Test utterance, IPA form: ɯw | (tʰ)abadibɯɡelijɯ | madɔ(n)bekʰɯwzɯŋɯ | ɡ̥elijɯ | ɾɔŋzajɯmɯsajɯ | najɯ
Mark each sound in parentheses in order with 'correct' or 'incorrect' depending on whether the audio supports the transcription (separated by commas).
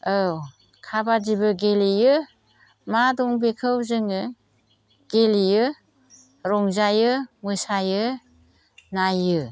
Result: incorrect, incorrect